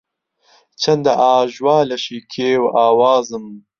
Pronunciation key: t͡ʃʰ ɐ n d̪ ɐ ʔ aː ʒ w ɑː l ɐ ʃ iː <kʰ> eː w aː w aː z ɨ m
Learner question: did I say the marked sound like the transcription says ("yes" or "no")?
yes